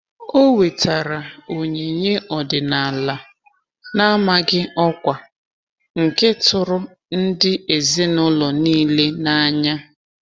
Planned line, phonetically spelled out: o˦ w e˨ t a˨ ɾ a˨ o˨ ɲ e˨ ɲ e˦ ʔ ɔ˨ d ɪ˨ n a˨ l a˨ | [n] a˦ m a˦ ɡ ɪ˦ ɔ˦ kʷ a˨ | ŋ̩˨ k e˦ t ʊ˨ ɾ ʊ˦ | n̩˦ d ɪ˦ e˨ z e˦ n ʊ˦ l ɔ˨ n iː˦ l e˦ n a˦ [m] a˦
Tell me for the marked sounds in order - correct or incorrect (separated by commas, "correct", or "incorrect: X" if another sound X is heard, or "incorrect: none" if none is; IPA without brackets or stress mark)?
correct, incorrect: ɲ